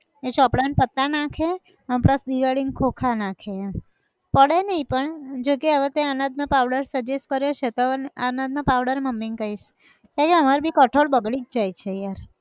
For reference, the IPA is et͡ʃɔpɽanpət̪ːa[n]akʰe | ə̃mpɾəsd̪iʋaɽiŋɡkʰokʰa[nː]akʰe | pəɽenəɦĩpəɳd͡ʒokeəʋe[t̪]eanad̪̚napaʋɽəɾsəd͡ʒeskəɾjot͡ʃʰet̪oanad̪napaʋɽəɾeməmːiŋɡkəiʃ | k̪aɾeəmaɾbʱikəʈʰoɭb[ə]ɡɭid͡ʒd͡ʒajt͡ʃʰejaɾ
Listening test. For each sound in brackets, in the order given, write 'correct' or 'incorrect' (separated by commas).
correct, incorrect, correct, correct